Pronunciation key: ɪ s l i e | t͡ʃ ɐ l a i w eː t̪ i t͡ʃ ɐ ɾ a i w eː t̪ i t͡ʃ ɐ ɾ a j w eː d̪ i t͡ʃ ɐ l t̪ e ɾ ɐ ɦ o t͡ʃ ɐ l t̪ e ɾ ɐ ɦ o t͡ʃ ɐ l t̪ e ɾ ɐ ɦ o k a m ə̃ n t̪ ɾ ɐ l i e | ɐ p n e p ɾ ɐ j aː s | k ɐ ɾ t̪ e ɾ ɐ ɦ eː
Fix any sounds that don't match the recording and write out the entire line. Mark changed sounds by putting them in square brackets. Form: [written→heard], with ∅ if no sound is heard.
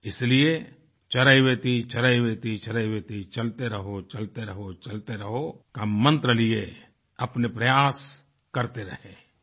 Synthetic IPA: ɪ s l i e | t͡ʃ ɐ [l→ɾ] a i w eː t̪ i t͡ʃ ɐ ɾ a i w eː t̪ i t͡ʃ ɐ ɾ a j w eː [d̪→t̪] i t͡ʃ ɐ l t̪ e ɾ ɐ ɦ o t͡ʃ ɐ l t̪ e ɾ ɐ ɦ o t͡ʃ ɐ l t̪ e ɾ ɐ ɦ o k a m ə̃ n t̪ ɾ [ɐ→ə] l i e | ɐ p n e p ɾ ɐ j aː s | k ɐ ɾ t̪ e ɾ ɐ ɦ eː

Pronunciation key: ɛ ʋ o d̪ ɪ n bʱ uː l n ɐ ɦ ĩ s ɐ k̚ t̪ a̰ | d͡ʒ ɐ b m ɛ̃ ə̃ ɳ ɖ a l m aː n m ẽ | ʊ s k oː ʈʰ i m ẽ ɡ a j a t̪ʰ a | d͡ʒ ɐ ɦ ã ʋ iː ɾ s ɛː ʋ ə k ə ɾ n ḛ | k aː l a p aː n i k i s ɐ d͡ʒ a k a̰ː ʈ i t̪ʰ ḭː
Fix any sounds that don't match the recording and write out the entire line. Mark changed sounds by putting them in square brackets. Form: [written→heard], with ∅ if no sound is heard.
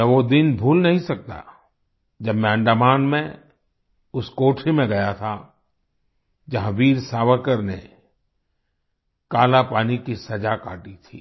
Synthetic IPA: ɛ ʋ o d̪ ɪ n bʱ uː l n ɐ ɦ ĩ s ɐ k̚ t̪ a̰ | d͡ʒ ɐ b m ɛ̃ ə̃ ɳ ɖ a [l→∅] m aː n m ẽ | ʊ s k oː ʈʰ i m ẽ ɡ [a→ɐ] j a t̪ʰ a | d͡ʒ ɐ ɦ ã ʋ iː ɾ s [ɛː→aː] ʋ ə k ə ɾ n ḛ | k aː l a p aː n i k i s ɐ d͡ʒ a k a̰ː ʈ i t̪ʰ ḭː

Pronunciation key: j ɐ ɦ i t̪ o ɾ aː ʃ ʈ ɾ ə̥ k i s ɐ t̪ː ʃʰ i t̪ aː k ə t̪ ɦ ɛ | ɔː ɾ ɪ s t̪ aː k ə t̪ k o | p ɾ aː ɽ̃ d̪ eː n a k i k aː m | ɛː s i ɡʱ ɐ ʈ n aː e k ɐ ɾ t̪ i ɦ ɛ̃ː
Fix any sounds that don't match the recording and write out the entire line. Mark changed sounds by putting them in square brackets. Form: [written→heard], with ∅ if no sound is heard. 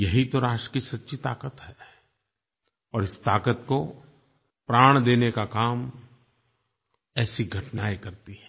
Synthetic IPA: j ɐ ɦ i t̪ o ɾ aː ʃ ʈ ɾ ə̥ k i s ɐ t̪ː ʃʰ i t̪ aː k ə t̪ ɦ ɛ | ɔː ɾ ɪ s t̪ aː k ə t̪ k o | p ɾ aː ɽ̃ d̪ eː n [a→e] k [i→a] k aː m | ɛː s i ɡʱ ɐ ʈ n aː e k ɐ ɾ t̪ i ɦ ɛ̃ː

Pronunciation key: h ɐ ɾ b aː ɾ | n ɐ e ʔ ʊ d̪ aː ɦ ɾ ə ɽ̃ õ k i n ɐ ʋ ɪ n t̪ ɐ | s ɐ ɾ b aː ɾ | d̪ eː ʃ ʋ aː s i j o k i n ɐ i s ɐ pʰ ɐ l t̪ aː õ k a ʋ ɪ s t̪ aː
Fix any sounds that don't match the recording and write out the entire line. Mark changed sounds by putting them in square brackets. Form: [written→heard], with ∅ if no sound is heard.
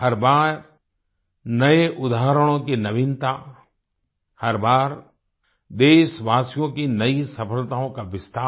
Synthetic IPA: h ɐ ɾ b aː ɾ | n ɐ e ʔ ʊ d̪ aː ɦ ɾ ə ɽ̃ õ k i n ɐ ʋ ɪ n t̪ [ɐ→a] | [s→h] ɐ ɾ b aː ɾ | d̪ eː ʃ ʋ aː s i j [o→õ] k i n ɐ i s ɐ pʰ [ɐ→ə] l t̪ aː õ k a ʋ ɪ s t̪ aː

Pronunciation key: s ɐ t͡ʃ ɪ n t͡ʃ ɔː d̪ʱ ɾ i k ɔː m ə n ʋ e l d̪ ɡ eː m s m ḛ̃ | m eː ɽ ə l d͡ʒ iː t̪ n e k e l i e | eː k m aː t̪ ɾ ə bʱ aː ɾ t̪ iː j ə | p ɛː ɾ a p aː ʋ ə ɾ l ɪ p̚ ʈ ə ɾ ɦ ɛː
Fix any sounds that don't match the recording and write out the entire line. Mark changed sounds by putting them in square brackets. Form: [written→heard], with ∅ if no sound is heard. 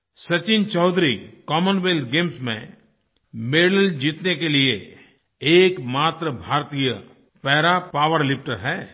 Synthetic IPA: s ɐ t͡ʃ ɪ n t͡ʃ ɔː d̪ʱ ɾ i k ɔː m ə n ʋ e l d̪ ɡ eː m s m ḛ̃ | m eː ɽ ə l d͡ʒ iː t̪ n e k e l i e | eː k m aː t̪ ɾ ə bʱ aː ɾ t̪ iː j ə | p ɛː ɾ a p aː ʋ ə ɾ l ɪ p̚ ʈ ə ɾ ɦ ɛː

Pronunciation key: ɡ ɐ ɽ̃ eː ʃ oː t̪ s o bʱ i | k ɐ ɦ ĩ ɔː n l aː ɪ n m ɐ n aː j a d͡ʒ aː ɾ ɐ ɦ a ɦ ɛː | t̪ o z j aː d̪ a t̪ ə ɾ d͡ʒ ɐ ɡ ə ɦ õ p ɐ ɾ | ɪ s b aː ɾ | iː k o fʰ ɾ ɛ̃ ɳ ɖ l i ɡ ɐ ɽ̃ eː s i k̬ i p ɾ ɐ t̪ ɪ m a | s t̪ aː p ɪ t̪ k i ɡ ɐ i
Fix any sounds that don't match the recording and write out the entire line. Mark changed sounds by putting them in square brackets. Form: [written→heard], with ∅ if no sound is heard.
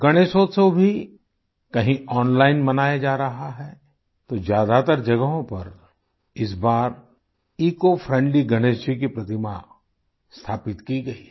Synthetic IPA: ɡ ɐ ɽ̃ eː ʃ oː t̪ s o bʱ i | k ɐ ɦ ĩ ɔː n l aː ɪ n m ɐ n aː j a d͡ʒ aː ɾ ɐ ɦ a ɦ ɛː | t̪ o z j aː d̪ a t̪ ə ɾ d͡ʒ ɐ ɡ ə ɦ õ p ɐ ɾ | ɪ s b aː ɾ | iː k o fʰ ɾ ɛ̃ ɳ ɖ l i ɡ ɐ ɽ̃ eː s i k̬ i p ɾ ɐ t̪ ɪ m a | s [t̪→t̪ʰ] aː p ɪ t̪ k i ɡ ɐ i

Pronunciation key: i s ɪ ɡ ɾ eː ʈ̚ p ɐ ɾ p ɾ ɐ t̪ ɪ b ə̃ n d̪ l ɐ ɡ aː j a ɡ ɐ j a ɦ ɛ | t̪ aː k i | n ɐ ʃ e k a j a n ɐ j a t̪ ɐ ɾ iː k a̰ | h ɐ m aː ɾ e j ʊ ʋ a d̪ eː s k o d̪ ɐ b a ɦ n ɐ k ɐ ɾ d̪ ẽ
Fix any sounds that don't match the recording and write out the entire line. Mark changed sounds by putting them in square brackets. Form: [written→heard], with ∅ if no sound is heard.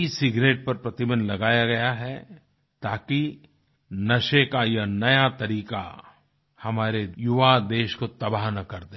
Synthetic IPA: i s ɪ ɡ ɾ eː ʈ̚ p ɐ ɾ p ɾ ɐ t̪ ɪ b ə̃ n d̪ l ɐ ɡ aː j a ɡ ɐ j a ɦ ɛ | t̪ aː k i | n ɐ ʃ e k a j a n ɐ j a t̪ ɐ ɾ iː k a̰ | h ɐ m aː ɾ e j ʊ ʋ a d̪ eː [s→ʃ] k o [d̪→t̪] ɐ b a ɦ n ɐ k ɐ ɾ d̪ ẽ

